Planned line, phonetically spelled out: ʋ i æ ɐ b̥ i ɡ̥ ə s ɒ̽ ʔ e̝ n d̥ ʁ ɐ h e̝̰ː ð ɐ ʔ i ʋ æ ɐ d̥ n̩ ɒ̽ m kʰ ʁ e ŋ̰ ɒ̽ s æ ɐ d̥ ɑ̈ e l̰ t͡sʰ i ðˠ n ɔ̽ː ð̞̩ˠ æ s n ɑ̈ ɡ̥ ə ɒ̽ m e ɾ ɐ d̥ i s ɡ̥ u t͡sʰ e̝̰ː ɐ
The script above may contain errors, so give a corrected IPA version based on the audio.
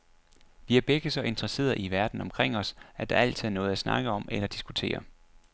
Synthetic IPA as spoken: ʋ i æ ɐ b̥ e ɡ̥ ə s ɒ̽ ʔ e̝ n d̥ ʁ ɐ s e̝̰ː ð ɐ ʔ i ʋ æ ɐ d̥ n̩ ɒ̽ m kʰ ʁ e ŋ̰ ɒ̽ s æ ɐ d̥ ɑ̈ æ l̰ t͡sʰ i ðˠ n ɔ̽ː ð̞̩ˠ æ s n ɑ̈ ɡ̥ ə ɒ̽ m e l ɐ d̥ i s ɡ̥ u t͡sʰ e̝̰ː ɐ